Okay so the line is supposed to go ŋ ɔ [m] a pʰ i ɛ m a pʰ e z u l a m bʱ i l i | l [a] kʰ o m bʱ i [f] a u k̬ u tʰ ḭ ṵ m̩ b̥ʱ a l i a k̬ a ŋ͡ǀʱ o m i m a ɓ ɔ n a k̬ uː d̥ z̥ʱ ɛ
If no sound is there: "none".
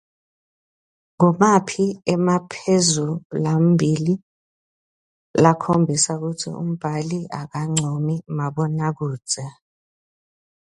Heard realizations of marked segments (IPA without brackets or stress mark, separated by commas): m, a, s